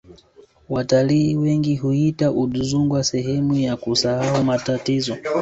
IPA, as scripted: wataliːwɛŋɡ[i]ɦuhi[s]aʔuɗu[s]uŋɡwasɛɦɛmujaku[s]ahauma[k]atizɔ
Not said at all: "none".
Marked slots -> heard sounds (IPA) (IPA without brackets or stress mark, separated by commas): i, t, z, s, t